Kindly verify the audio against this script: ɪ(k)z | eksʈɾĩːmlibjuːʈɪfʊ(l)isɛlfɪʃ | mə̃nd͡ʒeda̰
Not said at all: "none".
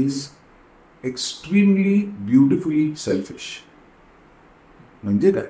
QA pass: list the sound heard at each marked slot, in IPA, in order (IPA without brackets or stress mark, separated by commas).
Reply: none, l